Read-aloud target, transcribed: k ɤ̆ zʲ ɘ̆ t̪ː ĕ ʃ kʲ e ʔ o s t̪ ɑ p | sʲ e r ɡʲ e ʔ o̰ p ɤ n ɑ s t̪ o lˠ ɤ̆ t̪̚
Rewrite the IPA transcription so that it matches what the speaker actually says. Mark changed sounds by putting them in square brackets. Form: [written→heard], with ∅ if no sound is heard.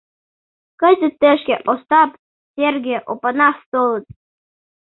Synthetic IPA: k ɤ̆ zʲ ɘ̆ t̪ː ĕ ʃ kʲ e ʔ o s t̪ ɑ p | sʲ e r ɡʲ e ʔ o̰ p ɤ n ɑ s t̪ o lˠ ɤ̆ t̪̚